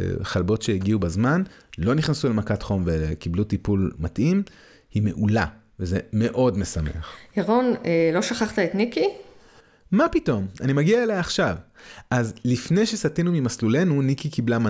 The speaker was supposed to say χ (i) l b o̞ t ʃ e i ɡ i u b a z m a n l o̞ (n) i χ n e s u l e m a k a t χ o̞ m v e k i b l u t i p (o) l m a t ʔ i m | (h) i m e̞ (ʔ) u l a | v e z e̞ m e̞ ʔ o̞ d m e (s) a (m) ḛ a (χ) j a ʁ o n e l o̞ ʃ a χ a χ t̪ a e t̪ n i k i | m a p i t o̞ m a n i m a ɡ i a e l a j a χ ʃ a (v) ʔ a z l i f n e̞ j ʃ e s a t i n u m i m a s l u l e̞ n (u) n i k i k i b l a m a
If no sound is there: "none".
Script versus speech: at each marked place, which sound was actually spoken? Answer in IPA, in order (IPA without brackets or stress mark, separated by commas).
a, n, u, h, ʔ, s, m, χ, v, u